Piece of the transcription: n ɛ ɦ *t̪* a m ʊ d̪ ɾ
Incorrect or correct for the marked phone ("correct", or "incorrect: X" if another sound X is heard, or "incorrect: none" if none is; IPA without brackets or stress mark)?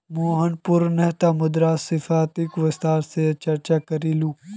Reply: correct